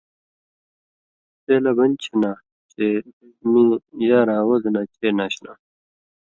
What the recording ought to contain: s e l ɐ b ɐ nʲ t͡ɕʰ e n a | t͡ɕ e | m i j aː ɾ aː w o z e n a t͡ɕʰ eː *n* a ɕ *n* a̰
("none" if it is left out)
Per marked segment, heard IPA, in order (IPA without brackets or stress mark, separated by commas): n, n